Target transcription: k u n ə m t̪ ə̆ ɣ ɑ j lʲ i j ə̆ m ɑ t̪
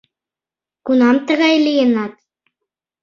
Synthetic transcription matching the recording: k u n ɑ m t̪ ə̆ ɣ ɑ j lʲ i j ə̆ n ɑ t̪

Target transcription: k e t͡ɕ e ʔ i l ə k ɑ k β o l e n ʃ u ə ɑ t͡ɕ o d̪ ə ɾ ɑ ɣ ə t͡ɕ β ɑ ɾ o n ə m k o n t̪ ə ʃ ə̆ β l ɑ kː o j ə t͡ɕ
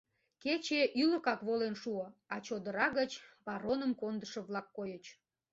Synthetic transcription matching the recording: k e t͡ɕ e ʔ y l ə k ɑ k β o l e n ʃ u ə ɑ t͡ɕ o d̪ ə ɾ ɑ ɣ ə t͡ɕ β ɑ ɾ o n ə m k o n d̪ ə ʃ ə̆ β l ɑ kː o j ə t͡ɕ

